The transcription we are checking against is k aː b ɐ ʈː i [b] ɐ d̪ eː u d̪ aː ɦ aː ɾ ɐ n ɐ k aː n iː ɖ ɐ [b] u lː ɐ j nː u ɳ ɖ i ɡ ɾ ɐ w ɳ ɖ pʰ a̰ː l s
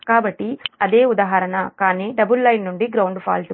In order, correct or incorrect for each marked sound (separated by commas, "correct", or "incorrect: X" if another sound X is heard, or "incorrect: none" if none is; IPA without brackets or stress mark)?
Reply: incorrect: none, correct